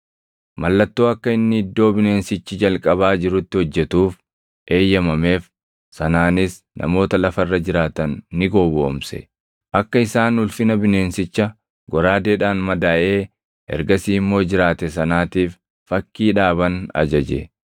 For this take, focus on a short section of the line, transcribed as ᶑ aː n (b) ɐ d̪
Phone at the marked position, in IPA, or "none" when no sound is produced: m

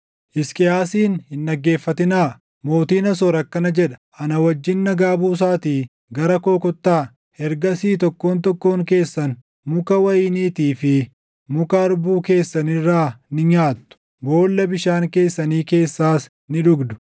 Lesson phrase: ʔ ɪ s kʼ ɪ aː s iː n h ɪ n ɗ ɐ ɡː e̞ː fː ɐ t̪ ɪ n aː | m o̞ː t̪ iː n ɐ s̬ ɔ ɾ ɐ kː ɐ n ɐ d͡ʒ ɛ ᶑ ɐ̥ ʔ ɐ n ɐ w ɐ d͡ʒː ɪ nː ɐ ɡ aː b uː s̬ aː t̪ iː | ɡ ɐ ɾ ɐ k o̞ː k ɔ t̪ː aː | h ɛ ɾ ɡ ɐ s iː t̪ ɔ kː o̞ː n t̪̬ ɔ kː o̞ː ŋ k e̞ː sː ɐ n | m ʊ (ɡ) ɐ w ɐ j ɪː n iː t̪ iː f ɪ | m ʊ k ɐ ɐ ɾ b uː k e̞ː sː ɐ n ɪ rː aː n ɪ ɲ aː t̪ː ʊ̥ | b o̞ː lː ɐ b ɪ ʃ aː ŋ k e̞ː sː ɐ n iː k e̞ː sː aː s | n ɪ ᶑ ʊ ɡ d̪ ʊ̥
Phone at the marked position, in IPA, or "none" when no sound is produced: k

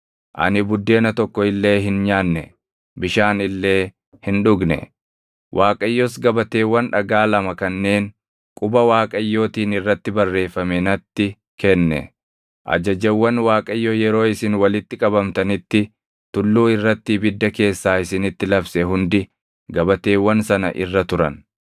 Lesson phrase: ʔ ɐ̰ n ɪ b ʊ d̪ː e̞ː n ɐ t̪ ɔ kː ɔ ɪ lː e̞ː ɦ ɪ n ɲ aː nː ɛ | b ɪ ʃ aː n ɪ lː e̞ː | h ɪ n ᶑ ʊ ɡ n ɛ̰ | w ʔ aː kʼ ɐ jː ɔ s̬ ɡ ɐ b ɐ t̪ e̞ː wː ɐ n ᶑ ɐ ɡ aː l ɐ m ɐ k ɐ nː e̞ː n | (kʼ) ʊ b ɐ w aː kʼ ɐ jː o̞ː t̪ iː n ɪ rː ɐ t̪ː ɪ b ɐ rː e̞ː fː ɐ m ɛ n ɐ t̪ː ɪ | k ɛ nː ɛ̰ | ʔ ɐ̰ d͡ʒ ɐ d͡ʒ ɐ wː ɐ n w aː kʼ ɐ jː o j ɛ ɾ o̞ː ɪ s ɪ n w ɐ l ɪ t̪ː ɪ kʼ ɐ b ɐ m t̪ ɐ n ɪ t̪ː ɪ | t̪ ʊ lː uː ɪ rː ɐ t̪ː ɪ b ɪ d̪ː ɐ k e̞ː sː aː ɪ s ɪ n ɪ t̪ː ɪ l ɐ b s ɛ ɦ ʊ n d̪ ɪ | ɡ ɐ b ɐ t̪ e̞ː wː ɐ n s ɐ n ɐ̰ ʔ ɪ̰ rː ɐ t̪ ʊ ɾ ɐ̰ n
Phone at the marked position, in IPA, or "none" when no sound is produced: kʼ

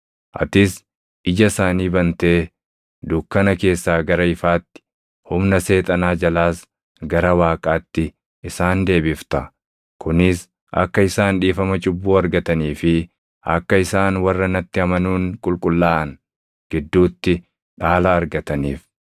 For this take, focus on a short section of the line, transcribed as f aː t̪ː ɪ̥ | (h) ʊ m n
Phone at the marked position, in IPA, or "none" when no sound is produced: h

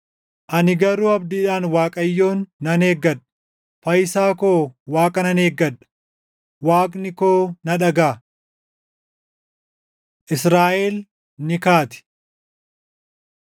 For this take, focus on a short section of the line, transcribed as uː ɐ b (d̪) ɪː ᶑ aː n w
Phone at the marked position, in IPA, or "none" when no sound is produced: d̪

